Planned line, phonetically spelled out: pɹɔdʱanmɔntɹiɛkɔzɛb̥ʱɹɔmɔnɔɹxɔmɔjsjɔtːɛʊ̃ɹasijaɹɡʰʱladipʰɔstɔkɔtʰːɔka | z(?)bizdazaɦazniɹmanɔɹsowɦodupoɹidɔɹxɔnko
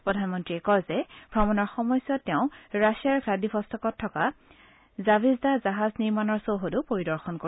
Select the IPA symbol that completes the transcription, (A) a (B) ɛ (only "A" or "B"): A